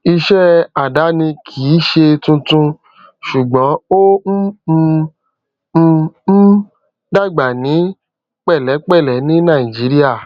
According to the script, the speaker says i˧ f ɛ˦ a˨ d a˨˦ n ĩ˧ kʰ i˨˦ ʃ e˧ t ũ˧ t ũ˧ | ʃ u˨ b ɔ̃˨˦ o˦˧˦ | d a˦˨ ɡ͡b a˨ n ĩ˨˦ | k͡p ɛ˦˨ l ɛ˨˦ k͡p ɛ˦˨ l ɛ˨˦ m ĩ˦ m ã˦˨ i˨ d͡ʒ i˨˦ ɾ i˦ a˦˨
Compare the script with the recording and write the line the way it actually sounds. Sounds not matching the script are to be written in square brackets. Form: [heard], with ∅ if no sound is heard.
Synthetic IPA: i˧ [ʃ] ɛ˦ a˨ d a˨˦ n ĩ˧ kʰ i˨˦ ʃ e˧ t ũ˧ t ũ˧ | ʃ u˨ [ɡ͡b] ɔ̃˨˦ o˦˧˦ | d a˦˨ ɡ͡b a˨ n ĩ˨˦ | k͡p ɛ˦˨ l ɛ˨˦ k͡p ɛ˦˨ l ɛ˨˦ [n] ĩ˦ [n] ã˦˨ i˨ d͡ʒ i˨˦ ɾ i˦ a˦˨

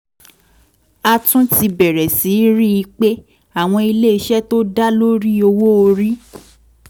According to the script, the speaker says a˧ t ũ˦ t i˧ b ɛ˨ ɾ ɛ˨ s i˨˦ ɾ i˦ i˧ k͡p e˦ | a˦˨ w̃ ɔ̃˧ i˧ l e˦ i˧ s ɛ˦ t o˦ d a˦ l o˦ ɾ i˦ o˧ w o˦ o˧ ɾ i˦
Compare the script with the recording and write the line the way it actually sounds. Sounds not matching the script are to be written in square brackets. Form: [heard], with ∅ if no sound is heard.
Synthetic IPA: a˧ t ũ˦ t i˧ b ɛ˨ ɾ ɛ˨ s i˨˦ ɾ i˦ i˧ k͡p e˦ | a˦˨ w̃ ɔ̃˧ i˧ l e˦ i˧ [ʃ] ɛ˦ t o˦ d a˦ l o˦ ɾ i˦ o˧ w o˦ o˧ ɾ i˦

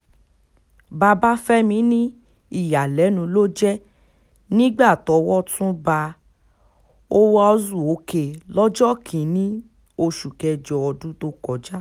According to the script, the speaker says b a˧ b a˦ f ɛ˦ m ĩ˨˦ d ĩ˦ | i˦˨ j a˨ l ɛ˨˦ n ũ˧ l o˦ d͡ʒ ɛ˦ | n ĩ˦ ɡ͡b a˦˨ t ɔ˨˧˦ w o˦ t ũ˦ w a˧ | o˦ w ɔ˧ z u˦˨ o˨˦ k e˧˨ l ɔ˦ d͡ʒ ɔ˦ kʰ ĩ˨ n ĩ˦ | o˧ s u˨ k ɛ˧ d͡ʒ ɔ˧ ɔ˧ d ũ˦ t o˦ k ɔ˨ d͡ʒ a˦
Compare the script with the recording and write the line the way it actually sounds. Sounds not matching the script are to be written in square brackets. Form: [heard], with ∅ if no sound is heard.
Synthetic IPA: b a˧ b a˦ f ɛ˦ m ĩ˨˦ [n] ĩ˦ | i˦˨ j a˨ l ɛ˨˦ n ũ˧ l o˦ d͡ʒ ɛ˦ | n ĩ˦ ɡ͡b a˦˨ t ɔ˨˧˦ w [ɔ˦] t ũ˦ [b] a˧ | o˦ w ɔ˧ z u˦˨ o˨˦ k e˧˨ l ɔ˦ d͡ʒ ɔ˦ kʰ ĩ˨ n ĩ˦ | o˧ [ʃ] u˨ k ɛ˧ d͡ʒ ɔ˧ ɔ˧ d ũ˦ t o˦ k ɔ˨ d͡ʒ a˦

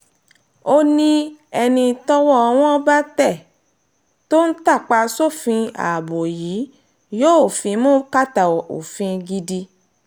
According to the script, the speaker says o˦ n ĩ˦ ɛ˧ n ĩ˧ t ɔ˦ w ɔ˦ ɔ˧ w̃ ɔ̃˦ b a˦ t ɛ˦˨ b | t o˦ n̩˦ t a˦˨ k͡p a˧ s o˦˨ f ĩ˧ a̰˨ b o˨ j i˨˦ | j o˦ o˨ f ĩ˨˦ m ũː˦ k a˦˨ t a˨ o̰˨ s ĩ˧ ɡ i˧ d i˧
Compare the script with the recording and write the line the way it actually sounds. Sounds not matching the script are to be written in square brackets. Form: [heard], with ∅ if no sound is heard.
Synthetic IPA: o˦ n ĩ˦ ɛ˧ n ĩ˧ t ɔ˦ w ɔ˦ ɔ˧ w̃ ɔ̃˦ b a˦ t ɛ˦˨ [∅] | t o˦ n̩˦ t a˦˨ k͡p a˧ s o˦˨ f ĩ˧ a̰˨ b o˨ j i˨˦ | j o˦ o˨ f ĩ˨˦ m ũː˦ k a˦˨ t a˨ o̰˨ [f] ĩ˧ ɡ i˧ d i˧

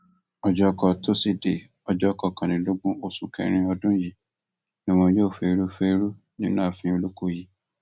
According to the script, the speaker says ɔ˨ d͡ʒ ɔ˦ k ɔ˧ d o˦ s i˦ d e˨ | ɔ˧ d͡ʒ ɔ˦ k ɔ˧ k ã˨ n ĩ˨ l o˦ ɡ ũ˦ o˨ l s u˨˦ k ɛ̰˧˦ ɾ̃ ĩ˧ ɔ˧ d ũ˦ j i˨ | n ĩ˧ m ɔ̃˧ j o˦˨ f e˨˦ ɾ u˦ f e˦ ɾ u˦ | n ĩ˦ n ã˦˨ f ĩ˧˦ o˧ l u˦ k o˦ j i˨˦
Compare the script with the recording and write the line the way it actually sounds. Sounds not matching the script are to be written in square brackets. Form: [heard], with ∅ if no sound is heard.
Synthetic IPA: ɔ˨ d͡ʒ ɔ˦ k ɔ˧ [t] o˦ s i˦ d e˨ | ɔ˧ d͡ʒ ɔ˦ k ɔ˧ k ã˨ n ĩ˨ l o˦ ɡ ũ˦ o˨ [∅] s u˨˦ k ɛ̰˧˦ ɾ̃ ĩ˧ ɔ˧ d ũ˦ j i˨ | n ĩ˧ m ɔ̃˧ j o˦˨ f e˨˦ ɾ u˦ f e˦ ɾ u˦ | n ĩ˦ n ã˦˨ f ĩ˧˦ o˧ l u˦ k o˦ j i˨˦

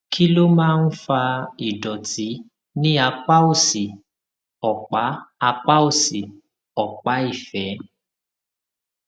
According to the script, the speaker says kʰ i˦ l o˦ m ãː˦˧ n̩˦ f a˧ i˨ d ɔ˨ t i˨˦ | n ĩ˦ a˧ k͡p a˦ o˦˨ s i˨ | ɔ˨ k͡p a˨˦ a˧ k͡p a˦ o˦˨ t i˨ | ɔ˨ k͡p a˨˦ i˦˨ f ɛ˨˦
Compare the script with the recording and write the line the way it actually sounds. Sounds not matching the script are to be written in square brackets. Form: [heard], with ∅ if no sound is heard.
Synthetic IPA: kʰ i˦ l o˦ m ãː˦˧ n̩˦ f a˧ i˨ d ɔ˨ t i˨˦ | n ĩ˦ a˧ k͡p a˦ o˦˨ s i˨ | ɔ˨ k͡p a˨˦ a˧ k͡p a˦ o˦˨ [s] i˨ | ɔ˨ k͡p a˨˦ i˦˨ f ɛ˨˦

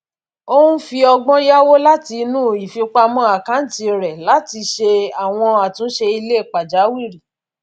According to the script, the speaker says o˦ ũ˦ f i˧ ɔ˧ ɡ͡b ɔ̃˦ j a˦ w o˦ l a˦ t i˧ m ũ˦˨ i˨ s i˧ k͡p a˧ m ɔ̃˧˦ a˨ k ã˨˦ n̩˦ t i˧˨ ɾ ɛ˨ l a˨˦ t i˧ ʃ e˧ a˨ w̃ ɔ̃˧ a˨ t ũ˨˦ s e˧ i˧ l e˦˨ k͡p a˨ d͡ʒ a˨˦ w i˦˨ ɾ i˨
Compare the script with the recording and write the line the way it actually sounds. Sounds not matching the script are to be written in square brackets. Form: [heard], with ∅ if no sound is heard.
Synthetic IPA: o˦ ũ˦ f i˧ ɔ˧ ɡ͡b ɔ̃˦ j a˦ w o˦ l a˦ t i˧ [n] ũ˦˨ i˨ [f] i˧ k͡p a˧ m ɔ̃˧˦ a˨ k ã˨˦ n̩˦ t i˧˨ ɾ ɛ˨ l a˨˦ t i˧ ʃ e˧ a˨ w̃ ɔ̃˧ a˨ t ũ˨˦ [ʃ] e˧ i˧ l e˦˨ k͡p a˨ d͡ʒ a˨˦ w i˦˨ ɾ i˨

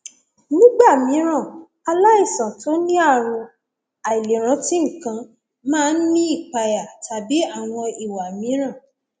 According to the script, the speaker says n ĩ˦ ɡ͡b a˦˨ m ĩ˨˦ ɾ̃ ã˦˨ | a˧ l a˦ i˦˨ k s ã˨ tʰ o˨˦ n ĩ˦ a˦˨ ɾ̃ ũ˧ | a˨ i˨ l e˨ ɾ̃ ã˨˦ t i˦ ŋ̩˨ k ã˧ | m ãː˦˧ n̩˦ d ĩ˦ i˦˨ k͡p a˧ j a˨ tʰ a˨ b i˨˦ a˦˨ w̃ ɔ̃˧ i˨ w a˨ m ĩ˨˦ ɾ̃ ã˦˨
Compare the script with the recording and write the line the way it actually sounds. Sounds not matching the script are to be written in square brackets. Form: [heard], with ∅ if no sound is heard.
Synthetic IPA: n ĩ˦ ɡ͡b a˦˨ m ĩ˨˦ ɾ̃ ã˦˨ | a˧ l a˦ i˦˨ [∅] s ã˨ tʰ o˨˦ n ĩ˦ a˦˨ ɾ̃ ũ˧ | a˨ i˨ l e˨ ɾ̃ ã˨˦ t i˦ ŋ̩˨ k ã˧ | m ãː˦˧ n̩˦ [n] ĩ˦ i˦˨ k͡p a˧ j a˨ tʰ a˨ b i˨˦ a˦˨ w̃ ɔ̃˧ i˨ w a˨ m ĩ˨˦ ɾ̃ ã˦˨

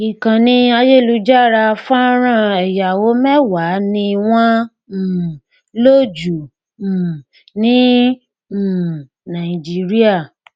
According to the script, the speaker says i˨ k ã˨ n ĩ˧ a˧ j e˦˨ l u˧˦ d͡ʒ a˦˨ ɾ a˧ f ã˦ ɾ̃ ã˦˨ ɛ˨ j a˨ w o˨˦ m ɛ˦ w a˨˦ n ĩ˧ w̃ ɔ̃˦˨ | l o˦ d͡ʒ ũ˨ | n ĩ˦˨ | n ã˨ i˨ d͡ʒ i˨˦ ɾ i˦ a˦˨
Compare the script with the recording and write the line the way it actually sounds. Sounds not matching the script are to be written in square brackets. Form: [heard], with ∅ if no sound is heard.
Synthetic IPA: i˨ k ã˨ n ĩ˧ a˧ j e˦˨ l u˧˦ d͡ʒ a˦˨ ɾ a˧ f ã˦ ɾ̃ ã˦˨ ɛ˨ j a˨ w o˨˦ m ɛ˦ w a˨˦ n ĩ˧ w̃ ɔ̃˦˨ | l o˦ d͡ʒ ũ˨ | n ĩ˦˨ | n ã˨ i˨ d͡ʒ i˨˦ ɾ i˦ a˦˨

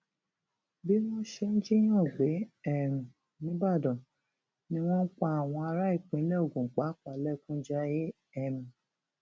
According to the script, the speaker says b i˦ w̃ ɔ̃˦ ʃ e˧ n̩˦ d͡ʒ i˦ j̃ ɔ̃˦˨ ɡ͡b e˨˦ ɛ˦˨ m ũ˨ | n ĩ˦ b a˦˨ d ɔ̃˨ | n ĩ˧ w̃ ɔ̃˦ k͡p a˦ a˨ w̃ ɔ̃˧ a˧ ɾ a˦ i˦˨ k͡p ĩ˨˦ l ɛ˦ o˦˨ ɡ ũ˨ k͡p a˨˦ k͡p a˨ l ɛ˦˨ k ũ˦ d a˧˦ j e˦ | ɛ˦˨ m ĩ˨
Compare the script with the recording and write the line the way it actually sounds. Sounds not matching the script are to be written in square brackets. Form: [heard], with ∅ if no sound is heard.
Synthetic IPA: b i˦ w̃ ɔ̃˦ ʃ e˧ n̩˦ d͡ʒ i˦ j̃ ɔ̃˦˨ ɡ͡b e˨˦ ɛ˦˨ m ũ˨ | n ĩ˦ b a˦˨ d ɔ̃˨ | n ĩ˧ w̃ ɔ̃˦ k͡p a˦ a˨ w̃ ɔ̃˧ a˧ ɾ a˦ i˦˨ k͡p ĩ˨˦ l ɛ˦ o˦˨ ɡ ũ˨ k͡p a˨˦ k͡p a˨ l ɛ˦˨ k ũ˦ [d͡ʒ] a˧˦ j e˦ | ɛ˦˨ m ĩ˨

